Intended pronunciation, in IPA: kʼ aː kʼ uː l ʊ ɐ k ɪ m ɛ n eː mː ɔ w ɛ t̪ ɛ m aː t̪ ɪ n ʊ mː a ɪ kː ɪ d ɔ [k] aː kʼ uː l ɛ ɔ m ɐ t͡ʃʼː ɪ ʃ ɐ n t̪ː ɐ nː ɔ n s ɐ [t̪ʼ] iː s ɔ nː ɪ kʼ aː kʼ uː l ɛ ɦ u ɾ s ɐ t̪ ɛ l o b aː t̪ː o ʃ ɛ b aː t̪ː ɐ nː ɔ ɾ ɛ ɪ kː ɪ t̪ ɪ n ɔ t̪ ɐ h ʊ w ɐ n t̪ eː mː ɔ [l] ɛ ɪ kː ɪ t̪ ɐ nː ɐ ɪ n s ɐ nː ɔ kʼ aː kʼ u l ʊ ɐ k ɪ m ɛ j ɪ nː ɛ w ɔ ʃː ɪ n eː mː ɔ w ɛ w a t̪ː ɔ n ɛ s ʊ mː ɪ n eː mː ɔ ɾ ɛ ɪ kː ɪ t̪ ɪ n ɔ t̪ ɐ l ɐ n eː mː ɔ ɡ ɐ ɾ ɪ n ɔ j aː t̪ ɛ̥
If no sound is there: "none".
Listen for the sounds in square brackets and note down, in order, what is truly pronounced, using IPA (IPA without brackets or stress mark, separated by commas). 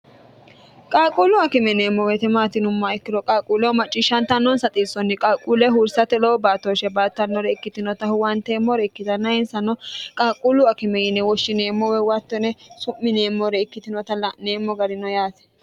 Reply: kʼ, t̪ʼ, ɾ